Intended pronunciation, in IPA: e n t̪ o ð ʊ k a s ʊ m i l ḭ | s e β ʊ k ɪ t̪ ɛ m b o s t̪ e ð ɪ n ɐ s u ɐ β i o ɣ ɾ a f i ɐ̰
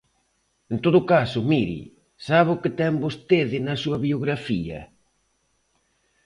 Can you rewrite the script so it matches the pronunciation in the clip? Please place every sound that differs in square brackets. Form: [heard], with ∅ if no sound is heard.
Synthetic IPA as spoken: e n t̪ o ð ʊ k a s ʊ m i [ɾ] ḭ | s [a] β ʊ k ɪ t̪ ɛ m b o s t̪ e ð ɪ n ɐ s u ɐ β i o ɣ ɾ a f i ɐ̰